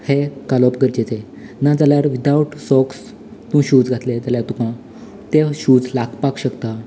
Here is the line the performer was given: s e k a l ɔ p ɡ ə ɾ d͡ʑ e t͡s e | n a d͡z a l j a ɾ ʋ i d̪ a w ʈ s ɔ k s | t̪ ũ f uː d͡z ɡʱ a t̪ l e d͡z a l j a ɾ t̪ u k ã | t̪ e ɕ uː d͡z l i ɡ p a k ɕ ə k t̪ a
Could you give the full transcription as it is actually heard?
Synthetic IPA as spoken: h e k a l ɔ p ɡ ə ɾ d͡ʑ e t͡s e | n a d͡z a l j a ɾ ʋ i d̪ a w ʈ s ɔ k s | t̪ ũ ɕ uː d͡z ɡʱ a t̪ l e d͡z a l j a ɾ t̪ u k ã | t̪ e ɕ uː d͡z l a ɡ p a k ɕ ə k t̪ a